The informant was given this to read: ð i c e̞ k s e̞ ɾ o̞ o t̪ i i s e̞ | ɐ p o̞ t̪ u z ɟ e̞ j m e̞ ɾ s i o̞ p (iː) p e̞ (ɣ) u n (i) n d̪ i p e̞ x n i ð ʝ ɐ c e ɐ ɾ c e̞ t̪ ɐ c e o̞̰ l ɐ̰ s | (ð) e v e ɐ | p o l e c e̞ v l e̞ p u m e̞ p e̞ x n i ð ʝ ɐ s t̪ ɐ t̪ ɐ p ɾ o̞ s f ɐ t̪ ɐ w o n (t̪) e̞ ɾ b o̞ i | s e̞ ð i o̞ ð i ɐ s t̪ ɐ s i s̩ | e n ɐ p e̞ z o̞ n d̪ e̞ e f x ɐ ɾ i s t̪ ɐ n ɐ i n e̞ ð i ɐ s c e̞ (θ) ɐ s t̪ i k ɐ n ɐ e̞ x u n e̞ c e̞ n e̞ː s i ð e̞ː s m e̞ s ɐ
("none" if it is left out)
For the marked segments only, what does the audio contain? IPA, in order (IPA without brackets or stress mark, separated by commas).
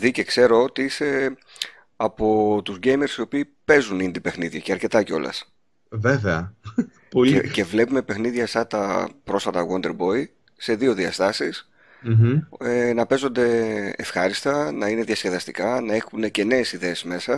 iː, z, i, v, d̪, ð